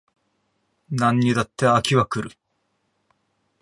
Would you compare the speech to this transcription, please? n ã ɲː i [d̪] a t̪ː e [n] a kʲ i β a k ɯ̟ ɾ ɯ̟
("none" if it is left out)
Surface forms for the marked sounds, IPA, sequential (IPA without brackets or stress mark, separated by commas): d̪, none